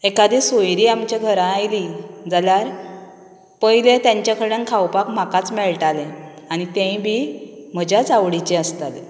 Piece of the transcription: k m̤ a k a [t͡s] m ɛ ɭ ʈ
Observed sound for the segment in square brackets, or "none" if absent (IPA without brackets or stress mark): t͡s